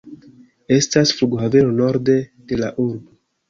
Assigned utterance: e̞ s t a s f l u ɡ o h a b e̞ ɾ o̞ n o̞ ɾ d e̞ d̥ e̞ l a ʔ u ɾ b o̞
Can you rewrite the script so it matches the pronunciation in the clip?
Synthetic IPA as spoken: e̞ s t a s f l u ɡ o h a v e̞ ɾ o̞ n o̞ ɾ d e̞ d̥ e̞ l a ʔ u ɾ b o̞